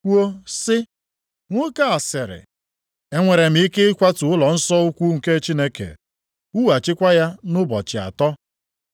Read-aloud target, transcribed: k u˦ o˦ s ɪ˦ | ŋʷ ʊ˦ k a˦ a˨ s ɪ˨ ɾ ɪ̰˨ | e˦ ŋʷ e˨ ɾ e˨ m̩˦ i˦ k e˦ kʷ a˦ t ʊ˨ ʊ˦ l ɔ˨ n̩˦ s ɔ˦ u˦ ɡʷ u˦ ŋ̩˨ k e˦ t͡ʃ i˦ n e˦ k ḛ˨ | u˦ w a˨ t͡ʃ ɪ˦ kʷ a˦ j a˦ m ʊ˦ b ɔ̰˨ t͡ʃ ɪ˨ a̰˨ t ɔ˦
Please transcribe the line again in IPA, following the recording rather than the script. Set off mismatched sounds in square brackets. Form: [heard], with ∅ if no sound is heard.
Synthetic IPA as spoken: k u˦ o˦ s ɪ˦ | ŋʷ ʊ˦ k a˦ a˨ s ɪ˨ ɾ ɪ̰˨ | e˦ ŋʷ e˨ ɾ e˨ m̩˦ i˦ k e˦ kʷ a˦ t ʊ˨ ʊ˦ l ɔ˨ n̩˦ s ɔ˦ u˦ [kʷ] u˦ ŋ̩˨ k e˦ t͡ʃ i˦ n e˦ k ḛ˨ | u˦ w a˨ t͡ʃ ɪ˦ kʷ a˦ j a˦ [n] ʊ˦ b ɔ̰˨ t͡ʃ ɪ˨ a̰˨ t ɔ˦